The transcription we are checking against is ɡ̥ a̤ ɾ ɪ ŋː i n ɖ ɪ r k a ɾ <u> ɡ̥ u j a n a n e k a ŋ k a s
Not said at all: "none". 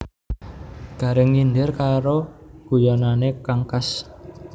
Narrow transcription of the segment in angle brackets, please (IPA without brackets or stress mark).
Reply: o